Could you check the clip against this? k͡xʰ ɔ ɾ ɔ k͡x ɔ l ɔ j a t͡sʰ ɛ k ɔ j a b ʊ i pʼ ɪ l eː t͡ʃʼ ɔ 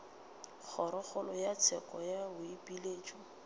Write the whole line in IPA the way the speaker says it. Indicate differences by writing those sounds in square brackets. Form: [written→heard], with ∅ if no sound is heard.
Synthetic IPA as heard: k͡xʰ ɔ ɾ ɔ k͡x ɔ l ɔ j a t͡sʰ ɛ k ɔ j a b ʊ i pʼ [ɪ→i] l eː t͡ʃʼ ɔ